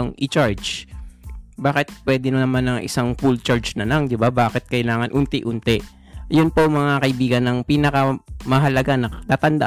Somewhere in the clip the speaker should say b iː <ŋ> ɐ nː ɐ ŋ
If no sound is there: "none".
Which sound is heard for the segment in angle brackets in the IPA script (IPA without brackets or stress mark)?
ɡ